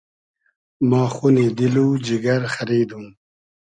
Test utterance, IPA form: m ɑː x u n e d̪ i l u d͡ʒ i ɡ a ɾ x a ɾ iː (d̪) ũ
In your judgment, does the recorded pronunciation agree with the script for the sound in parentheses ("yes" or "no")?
yes